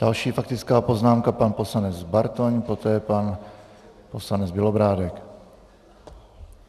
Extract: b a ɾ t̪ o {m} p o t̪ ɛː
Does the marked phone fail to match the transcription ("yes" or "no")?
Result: yes